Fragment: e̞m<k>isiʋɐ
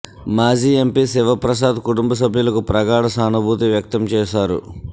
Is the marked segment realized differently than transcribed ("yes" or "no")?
yes